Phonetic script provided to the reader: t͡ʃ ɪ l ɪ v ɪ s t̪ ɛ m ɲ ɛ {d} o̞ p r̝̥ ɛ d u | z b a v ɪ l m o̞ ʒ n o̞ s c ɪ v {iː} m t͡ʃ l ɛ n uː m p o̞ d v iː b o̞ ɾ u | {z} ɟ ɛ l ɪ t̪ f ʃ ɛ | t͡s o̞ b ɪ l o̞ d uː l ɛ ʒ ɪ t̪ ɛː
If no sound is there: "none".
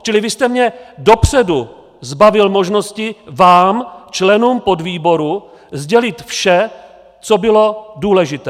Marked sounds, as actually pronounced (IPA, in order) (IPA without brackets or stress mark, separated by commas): d, aː, z